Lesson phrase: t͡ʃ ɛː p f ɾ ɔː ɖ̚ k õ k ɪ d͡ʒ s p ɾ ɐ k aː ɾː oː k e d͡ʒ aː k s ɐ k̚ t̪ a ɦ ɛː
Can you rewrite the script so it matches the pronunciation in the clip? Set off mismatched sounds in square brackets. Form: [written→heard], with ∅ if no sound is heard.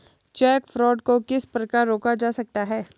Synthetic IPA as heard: t͡ʃ ɛː [p→k] f ɾ ɔː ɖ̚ k [õ→o] k ɪ [d͡ʒ→∅] s p ɾ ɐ k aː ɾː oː k [e→a] d͡ʒ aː [k→∅] s ɐ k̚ t̪ a ɦ ɛː